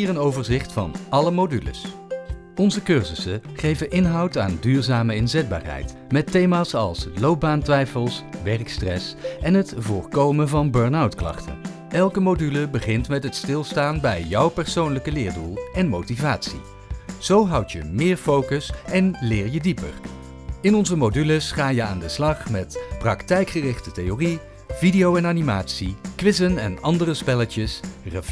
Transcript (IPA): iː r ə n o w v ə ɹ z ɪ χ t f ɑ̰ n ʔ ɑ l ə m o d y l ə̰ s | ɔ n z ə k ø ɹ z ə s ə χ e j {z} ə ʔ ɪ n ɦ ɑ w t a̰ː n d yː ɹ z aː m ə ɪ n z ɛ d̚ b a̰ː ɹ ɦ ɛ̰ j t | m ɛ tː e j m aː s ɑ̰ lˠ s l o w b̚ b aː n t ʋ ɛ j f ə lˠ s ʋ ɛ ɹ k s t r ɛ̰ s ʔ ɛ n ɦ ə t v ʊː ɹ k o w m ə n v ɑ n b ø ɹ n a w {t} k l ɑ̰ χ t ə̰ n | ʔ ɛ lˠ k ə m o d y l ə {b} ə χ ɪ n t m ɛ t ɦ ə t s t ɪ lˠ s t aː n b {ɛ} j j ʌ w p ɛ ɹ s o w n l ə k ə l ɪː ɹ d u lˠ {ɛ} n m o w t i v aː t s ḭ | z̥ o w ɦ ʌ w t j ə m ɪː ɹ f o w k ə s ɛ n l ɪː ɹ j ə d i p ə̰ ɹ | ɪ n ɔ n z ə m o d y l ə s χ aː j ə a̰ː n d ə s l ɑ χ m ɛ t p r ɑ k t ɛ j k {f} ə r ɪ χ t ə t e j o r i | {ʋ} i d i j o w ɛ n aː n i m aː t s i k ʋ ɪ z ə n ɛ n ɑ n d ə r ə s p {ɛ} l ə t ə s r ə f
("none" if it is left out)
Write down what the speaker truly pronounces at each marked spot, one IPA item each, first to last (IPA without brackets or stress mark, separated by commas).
v, t, b, ɛ, ɛ, χ, v, ɛ